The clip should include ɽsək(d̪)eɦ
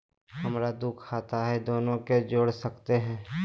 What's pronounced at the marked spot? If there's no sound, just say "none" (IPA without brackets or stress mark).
t̪